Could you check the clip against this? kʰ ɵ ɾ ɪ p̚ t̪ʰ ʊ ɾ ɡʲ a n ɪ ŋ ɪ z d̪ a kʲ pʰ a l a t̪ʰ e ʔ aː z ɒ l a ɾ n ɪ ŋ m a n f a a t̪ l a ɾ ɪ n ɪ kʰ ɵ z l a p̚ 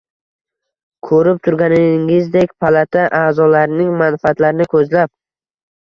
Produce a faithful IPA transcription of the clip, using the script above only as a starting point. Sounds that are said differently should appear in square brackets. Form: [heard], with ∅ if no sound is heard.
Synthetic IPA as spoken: kʰ ɵ ɾ ɪ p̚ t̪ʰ ʊ ɾ ɡʲ a n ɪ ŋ ɪ z d̪ [e] kʲ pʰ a l a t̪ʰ [a] ʔ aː z ɒ l a ɾ n ɪ ŋ m a n f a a t̪ l a ɾ ɪ n ɪ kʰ ɵ z l a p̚